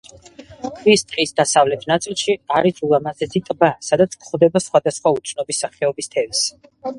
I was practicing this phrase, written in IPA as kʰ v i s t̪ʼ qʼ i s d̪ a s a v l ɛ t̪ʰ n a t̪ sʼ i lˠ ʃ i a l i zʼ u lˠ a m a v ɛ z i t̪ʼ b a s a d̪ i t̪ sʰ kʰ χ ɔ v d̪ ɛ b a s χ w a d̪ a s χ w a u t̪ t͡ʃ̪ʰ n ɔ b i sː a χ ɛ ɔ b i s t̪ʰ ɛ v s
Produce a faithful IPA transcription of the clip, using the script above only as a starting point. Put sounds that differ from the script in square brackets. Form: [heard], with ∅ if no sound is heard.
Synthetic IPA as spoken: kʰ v i s t̪ʼ qʼ i s d̪ a s a v l ɛ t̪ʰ n a t̪ sʼ i lˠ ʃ i a [ɾ] i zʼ u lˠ a m a [z] ɛ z i t̪ʼ b a s a d̪ [a] t̪ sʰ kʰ χ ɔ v d̪ ɛ b a s χ w a d̪ a s χ w a u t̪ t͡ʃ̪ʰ n ɔ b i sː a χ ɛ ɔ b i s t̪ʰ ɛ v s

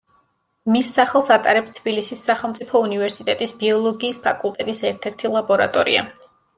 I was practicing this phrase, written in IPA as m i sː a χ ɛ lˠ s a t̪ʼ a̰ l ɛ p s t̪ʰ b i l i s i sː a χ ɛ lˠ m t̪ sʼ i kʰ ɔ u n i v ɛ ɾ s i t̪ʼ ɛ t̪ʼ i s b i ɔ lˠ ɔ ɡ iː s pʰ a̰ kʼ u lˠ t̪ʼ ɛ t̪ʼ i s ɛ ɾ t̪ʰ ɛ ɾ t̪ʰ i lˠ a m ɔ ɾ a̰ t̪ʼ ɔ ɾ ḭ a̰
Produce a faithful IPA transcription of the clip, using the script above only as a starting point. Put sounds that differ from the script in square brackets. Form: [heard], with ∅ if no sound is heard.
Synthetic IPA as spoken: m i sː a χ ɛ lˠ s a t̪ʼ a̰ [ɾ] ɛ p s t̪ʰ b i l i s i sː a χ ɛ lˠ m t̪ sʼ i [pʰ] ɔ u n i v ɛ ɾ s i t̪ʼ ɛ t̪ʼ i s b i ɔ lˠ ɔ ɡ iː s pʰ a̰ kʼ u lˠ t̪ʼ ɛ t̪ʼ i s ɛ ɾ t̪ʰ ɛ ɾ t̪ʰ i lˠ a [b] ɔ ɾ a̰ t̪ʼ ɔ ɾ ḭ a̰

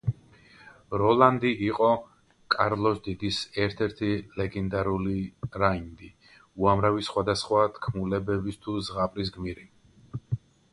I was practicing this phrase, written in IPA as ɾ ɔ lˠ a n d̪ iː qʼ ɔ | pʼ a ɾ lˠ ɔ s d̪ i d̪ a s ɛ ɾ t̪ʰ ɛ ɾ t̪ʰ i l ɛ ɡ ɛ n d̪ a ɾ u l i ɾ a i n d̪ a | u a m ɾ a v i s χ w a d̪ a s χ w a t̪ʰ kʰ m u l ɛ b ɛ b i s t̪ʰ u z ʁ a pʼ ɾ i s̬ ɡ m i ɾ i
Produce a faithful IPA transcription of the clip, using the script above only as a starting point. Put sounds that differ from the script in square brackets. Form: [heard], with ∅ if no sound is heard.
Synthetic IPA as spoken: ɾ ɔ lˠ a n d̪ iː qʼ ɔ | [kʼ] a ɾ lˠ ɔ s d̪ i d̪ [i] s ɛ ɾ t̪ʰ ɛ ɾ t̪ʰ i l ɛ ɡ ɛ n d̪ a ɾ u l i ɾ a i n d̪ [i] | u a m ɾ a v i s χ w a d̪ a s χ w a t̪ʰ kʰ m u l ɛ b ɛ b i s t̪ʰ u z ʁ a pʼ ɾ i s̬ ɡ m i ɾ i

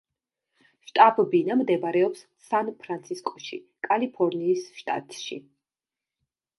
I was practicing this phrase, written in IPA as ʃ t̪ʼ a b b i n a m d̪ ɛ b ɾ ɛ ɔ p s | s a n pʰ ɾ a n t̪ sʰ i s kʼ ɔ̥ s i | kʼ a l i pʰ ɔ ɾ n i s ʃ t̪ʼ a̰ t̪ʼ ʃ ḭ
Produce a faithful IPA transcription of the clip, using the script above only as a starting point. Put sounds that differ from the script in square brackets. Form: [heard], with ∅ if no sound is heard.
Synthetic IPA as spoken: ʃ t̪ʼ a b b i n a m d̪ ɛ b ɾ ɛ ɔ p s | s a n pʰ ɾ a n t̪ sʰ i s kʼ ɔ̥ [ʃ] i | kʼ a l i pʰ ɔ ɾ n [iː] s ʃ t̪ʼ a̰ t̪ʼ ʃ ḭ

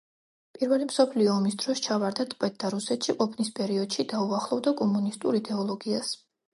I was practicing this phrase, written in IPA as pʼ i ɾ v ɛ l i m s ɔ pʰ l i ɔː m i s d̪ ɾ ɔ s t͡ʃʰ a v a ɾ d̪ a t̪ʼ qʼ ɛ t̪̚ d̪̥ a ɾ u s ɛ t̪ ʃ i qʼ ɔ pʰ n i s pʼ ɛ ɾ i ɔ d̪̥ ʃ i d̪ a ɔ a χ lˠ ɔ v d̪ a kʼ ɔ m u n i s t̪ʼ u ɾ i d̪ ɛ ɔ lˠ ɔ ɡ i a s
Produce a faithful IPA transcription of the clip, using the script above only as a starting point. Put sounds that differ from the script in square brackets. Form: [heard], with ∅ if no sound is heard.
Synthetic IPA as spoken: pʼ i ɾ v ɛ l i m s ɔ pʰ l i ɔː m i s d̪ ɾ ɔ s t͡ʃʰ a v a ɾ d̪ a t̪ʼ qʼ ɛ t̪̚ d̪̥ a ɾ u s ɛ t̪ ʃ i qʼ ɔ pʰ n i s pʼ ɛ ɾ i ɔ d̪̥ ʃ i d̪ a [u] a χ lˠ ɔ v d̪ a kʼ ɔ m u n i s t̪ʼ u ɾ i d̪ ɛ ɔ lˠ ɔ ɡ i a s

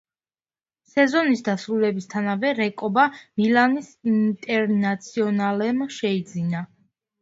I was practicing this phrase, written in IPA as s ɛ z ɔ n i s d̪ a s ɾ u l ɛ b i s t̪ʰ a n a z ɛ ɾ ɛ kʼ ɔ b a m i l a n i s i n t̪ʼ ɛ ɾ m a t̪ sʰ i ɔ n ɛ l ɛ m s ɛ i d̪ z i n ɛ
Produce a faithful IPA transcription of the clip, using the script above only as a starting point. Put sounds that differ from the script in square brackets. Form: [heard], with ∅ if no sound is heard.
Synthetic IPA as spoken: s ɛ z ɔ n i s d̪ a s ɾ u l ɛ b i s t̪ʰ a n a [v] ɛ ɾ ɛ kʼ ɔ b a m i l a n i s i n t̪ʼ ɛ ɾ [n] a t̪ sʰ i ɔ n [a] l ɛ m [ʃ] ɛ i d̪ z i n [a]

